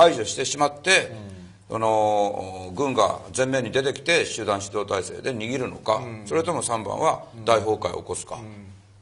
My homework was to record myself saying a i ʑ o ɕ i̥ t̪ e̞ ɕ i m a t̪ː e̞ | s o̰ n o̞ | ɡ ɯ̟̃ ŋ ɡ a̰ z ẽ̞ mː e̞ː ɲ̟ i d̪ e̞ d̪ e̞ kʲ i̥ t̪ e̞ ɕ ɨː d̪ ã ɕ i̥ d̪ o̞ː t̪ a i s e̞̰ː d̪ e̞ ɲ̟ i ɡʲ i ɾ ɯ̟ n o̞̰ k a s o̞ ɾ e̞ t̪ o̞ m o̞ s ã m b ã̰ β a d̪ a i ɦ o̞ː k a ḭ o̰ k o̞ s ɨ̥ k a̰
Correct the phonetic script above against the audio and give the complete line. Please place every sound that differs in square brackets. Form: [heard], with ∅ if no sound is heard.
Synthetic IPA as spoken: a i ʑ o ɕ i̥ t̪ e̞ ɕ i m a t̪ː e̞ | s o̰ n o̞ | ɡ ɯ̟̃ ŋ ɡ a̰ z ẽ̞ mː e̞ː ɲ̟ i d̪ e̞ [t̪] e̞ kʲ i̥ t̪ e̞ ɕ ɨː d̪ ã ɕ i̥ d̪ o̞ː t̪ a i s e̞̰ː d̪ e̞ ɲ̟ i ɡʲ i ɾ ɯ̟ n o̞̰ k a s o̞ ɾ e̞ t̪ o̞ m o̞ s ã m b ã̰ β a d̪ a i ɦ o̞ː k a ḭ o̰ k o̞ s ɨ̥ k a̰